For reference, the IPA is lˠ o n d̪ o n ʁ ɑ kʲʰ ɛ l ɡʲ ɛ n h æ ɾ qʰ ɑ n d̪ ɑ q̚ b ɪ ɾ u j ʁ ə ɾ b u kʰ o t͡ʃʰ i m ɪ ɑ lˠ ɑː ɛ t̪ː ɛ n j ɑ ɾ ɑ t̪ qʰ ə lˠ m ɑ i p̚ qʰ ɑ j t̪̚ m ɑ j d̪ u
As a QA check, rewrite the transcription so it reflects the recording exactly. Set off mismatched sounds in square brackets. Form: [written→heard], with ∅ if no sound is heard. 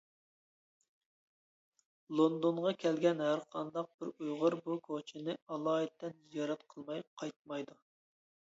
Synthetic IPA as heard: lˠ o n d̪ o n ʁ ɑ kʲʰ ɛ l ɡʲ ɛ n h æ ɾ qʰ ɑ n d̪ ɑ q̚ b ɪ ɾ u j ʁ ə ɾ b u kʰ o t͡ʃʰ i [m→n] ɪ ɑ lˠ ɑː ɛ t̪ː ɛ n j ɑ ɾ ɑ t̪ qʰ ə lˠ m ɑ [i→j] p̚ qʰ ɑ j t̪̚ m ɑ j d̪ u